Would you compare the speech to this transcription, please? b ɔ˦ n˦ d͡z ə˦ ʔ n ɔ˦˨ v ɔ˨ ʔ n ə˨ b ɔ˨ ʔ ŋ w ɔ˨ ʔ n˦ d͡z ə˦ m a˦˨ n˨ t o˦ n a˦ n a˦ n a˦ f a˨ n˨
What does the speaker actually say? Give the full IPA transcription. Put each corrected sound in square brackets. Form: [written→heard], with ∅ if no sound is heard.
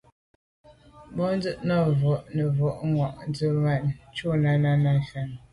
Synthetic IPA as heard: b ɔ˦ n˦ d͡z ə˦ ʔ n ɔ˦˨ v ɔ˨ ʔ n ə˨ [b→v] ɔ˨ ʔ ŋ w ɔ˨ ʔ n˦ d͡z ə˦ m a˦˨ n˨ [t→t͡ʃ] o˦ n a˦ n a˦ n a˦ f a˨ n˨